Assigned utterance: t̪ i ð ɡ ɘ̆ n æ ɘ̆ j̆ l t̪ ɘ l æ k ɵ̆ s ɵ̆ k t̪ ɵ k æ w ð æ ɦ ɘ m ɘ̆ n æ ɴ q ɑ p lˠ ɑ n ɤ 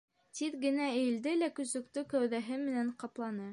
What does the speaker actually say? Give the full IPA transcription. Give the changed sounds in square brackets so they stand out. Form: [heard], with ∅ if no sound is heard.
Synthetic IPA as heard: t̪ i ð ɡ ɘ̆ n æ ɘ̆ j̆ l [d̪] ɘ l æ k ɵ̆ s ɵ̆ k t̪ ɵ k æ w ð æ ɦ ɘ m ɘ̆ n æ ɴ q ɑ p lˠ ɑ n ɤ